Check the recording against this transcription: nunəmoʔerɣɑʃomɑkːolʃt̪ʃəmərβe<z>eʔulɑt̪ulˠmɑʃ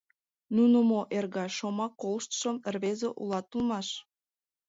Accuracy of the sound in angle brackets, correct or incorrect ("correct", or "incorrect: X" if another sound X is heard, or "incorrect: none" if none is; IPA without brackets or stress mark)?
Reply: correct